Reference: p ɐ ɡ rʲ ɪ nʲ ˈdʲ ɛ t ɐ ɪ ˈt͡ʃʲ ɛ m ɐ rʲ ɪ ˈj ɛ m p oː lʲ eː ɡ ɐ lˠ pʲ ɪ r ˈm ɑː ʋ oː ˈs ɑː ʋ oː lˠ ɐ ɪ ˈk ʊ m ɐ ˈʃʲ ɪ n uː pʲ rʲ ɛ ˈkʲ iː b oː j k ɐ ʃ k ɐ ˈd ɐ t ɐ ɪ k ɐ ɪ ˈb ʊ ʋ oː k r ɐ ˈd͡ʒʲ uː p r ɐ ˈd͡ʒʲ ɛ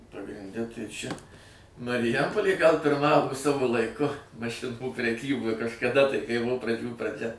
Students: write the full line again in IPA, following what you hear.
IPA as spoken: p ɐ ɡ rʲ ɪ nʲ ˈdʲ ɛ t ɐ ɪ ˈt͡ʃʲ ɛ m ɐ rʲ ɪ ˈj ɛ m p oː lʲ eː ɡ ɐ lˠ pʲ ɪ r ˈm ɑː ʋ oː ˈs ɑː ʋ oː lˠ ɐ ɪ ˈk ʊ m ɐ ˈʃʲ ɪ n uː pʲ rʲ ɛ ˈkʲ iː b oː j k ɐ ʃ k ɐ ˈd ɐ t ɐ ɪ k ɐ ɪ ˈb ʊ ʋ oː p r ɐ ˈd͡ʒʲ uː p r ɐ ˈd͡ʒʲ ɛ

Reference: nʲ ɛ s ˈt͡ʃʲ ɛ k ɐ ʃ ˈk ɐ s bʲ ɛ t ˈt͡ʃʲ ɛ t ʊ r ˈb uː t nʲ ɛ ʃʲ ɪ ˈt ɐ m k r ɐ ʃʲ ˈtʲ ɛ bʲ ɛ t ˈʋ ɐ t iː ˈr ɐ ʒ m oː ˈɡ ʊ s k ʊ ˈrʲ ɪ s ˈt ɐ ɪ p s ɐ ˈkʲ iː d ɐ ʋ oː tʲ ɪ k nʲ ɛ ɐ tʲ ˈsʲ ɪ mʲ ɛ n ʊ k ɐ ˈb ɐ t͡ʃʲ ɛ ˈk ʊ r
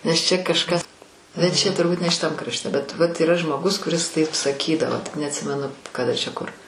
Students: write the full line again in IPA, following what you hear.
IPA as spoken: nʲ ɛ s ˈt͡ʃʲ ɛ k ɐ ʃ ˈk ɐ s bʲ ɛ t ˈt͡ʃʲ ɛ t ʊ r ˈb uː t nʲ ɛ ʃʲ ɪ ˈt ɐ m k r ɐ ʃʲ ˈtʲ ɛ bʲ ɛ t ˈʋ ɐ t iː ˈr ɐ ʒ m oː ˈɡ ʊ s k ʊ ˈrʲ ɪ s ˈt ɐ ɪ p s ɐ ˈkʲ iː d ɐ ʋ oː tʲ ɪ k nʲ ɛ ɐ tʲ ˈsʲ ɪ mʲ ɛ n ʊ k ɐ ˈd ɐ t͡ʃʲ ɛ ˈk ʊ r

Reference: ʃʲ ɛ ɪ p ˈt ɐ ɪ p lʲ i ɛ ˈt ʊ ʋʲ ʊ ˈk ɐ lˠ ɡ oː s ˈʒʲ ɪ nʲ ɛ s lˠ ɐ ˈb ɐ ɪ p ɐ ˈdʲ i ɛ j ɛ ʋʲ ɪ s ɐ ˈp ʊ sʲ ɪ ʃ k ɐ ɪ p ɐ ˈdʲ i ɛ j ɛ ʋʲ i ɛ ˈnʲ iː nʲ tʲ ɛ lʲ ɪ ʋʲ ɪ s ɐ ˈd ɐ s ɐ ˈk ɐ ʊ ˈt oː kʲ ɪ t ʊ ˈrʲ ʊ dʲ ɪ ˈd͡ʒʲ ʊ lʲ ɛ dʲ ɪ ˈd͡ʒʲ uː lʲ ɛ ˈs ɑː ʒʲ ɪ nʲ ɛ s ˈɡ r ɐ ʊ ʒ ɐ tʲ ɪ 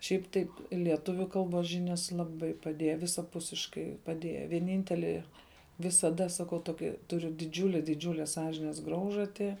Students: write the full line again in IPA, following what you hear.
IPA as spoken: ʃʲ ɛ ɪ p ˈt ɐ ɪ p lʲ i ɛ ˈt ʊ ʋʲ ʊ ˈk ɐ lˠ b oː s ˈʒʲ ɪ nʲ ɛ s lˠ ɐ ˈb ɐ ɪ p ɐ ˈdʲ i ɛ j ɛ ʋʲ ɪ s ɐ ˈp ʊ sʲ ɪ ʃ k ɐ ɪ p ɐ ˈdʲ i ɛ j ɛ ʋʲ i ɛ ˈnʲ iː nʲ tʲ ɛ lʲ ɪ ʋʲ ɪ s ɐ ˈd ɐ s ɐ ˈk ɐ ʊ ˈt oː kʲ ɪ t ʊ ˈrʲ ʊ dʲ ɪ ˈd͡ʒʲ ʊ lʲ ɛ dʲ ɪ ˈd͡ʒʲ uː lʲ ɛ ˈs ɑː ʒʲ ɪ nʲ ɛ s ˈɡ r ɐ ʊ ʒ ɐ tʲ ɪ

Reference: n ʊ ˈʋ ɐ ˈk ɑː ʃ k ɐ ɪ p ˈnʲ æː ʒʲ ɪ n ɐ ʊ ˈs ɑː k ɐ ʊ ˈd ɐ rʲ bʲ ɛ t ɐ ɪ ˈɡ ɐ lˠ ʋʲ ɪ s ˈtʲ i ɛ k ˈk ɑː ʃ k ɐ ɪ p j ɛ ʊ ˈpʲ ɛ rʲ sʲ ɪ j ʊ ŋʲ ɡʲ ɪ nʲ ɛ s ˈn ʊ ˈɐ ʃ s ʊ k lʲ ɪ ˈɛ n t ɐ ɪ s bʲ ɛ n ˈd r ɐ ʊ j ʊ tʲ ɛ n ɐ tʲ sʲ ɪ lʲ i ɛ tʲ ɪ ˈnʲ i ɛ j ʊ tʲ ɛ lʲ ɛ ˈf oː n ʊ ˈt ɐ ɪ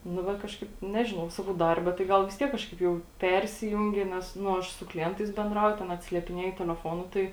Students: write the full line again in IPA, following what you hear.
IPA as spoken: n ʊ ˈʋ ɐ ˈk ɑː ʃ k ɐ ɪ p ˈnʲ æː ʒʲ ɪ n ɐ ʊ ˈs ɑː k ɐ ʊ ˈd ɐ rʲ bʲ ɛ t ɐ ɪ ˈɡ ɐ lˠ ʋʲ ɪ s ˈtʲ i ɛ k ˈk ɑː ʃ k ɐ ɪ p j ɛ ʊ ˈpʲ ɛ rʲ sʲ ɪ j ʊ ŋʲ ɡʲ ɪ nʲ ɛ s ˈn ʊ ˈɐ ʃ s ʊ k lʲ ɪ ˈɛ n t ɐ ɪ s bʲ ɛ n ˈd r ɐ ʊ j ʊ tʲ ɛ n ɐ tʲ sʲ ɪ lʲ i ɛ pʲ ɪ ˈnʲ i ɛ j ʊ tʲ ɛ lʲ ɛ ˈf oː n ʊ ˈt ɐ ɪ

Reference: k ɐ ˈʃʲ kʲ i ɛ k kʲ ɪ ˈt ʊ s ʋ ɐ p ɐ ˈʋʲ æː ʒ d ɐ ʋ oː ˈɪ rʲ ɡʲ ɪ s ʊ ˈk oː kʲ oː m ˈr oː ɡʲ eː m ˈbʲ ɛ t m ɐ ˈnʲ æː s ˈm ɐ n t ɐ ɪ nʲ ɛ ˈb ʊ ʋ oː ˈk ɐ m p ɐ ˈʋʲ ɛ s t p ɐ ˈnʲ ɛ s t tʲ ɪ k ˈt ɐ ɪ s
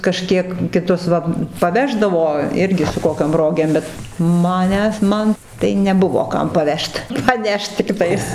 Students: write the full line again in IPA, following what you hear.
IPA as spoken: k ɐ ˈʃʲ kʲ i ɛ k kʲ ɪ ˈt ʊ s ʋ ɐ p ɐ ˈʋʲ æː ʒ d ɐ ʋ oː ˈɪ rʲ ɡʲ ɪ s ʊ ˈk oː kʲ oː m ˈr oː ɡʲ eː m ˈbʲ ɛ t m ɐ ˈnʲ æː s ˈm ɐ n t ɐ ɪ nʲ ɛ ˈb ʊ ʋ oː ˈk ɐ m p ɐ ˈʋʲ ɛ ʃ t p ɐ ˈnʲ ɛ ʃ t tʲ ɪ k ˈt ɐ ɪ s

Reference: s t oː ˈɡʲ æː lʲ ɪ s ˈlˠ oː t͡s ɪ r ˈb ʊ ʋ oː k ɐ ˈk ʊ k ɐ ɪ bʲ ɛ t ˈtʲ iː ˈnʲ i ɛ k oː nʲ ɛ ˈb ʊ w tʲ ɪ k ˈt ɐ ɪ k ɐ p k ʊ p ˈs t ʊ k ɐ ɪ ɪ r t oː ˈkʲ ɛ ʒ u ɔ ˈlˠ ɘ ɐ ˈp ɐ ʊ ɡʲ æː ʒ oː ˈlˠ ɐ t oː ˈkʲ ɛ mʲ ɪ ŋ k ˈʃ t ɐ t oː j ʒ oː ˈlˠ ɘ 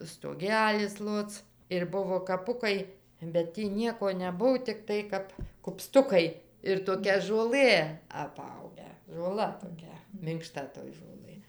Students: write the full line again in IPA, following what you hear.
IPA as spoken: s t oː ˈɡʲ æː lʲ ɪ s ˈlˠ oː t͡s ɪ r ˈb ʊ ʋ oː k ɐ ˈp ʊ k ɐ ɪ bʲ ɛ t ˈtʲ iː ˈnʲ i ɛ k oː nʲ ɛ ˈb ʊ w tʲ ɪ k ˈt ɐ ɪ k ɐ p k ʊ p ˈs t ʊ k ɐ ɪ ɪ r t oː ˈkʲ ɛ ʒ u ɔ ˈlˠ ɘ ɐ ˈp ɐ ʊ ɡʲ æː ʒ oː ˈlˠ ɐ t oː ˈkʲ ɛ mʲ ɪ ŋ k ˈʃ t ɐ t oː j ʒ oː ˈlˠ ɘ

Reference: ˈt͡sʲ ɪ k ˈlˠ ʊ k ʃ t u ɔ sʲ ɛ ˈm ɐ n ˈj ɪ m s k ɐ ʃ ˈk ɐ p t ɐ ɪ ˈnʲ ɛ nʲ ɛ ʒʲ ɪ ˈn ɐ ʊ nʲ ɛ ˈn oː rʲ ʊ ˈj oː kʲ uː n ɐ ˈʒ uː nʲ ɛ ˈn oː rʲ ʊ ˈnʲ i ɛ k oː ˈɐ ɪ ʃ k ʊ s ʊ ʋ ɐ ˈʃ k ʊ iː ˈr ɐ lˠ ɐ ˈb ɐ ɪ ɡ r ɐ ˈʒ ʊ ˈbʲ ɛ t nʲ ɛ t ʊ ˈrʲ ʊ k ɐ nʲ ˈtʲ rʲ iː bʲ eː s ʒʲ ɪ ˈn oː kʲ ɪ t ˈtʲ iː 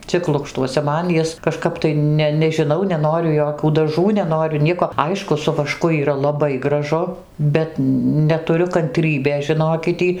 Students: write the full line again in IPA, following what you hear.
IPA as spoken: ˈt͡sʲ ɪ k ˈlˠ ʊ k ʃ t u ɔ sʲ ɛ ˈm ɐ n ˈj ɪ s k ɐ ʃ ˈk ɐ p t ɐ ɪ ˈnʲ ɛ nʲ ɛ ʒʲ ɪ ˈn ɐ ʊ nʲ ɛ ˈn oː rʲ ʊ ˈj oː kʲ uː d ɐ ˈʒ uː nʲ ɛ ˈn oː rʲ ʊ ˈnʲ i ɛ k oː ˈɐ ɪ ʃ k ʊ s ʊ ʋ ɐ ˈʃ k ʊ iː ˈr ɐ lˠ ɐ ˈb ɐ ɪ ɡ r ɐ ˈʒ ʊ ˈbʲ ɛ t nʲ ɛ t ʊ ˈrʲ ʊ k ɐ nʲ ˈtʲ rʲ iː bʲ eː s ʒʲ ɪ ˈn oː kʲ ɪ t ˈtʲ iː

